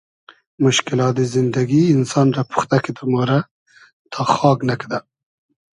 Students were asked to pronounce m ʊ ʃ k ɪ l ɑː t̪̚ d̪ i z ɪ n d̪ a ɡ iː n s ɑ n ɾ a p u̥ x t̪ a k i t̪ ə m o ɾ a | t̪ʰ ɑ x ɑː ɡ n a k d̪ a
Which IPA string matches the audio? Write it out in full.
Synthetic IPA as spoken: m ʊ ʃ k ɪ l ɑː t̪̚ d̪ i z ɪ n d̪ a ɡ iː n s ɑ n ɾ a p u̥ x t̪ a k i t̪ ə m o ɾ a | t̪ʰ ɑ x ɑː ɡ n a k d̪ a

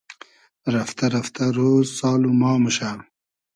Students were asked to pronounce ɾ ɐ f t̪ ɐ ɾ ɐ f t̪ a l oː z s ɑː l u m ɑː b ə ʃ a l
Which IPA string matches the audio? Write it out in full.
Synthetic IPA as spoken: ɾ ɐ f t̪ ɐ ɾ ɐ f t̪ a ɾ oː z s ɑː l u m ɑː m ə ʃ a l

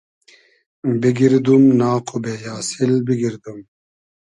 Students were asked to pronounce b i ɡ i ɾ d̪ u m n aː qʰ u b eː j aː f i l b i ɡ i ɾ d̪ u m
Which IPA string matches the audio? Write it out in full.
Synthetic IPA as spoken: b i ɡ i ɾ d̪ u m n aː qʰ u b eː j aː s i l b i ɡ i ɾ d̪ u m

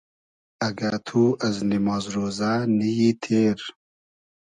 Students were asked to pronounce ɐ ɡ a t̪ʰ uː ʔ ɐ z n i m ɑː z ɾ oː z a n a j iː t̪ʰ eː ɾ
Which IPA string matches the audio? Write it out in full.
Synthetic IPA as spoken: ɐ ɡ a t̪ʰ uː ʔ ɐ z n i m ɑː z ɾ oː z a n i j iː t̪ʰ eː ɾ

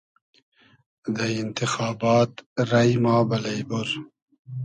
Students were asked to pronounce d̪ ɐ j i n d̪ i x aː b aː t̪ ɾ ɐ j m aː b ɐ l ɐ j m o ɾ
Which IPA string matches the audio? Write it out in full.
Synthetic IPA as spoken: d̪ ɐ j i n t̪ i x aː b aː t̪ ɾ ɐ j m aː b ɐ l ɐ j b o ɾ

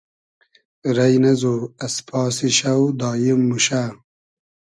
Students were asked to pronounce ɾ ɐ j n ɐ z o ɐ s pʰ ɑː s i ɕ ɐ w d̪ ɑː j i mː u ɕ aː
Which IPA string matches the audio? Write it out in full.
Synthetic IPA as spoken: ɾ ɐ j n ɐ z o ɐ s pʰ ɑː s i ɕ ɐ w d̪ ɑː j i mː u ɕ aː

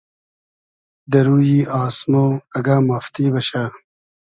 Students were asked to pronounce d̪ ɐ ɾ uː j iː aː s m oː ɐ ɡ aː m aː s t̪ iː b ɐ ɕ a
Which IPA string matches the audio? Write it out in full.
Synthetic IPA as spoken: d̪ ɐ ɾ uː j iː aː s m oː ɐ ɡ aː m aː f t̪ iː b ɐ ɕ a

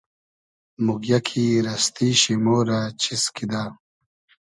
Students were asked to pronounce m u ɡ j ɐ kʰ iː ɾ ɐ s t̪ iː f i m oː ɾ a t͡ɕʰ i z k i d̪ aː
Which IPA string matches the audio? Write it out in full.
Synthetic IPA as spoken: m u ɡ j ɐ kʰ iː ɾ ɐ s t̪ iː ɕ i m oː ɾ a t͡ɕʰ i s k i d̪ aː

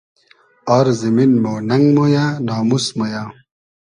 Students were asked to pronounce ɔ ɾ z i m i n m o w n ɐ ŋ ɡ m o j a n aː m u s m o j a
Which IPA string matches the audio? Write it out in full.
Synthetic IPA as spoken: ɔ ɾ z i m i n m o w n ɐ ŋ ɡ m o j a n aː m u s m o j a

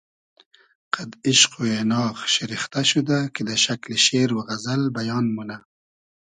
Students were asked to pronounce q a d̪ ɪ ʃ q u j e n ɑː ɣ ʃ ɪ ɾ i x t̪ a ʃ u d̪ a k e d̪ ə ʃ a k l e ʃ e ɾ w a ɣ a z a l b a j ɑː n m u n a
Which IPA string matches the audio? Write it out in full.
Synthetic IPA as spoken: q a d̪ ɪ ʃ q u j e n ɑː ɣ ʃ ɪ ɾ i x t̪ a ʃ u d̪ a k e d̪ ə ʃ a k l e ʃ e ɾ w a ɣ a z a l b a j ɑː n m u n a

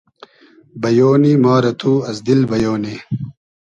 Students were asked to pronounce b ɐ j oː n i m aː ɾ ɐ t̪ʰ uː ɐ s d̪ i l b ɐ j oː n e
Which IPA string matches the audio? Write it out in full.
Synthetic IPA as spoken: b ɐ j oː n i m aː ɾ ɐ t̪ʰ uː ɐ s d̪ i l b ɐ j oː n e

